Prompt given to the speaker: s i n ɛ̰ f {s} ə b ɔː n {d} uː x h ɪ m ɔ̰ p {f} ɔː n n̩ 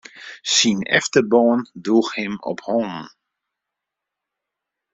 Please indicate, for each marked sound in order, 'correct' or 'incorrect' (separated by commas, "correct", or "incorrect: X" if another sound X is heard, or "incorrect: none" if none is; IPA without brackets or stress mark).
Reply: incorrect: t, correct, incorrect: h